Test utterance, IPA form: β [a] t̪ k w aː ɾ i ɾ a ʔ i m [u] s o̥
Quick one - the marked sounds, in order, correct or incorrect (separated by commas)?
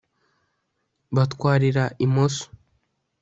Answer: correct, incorrect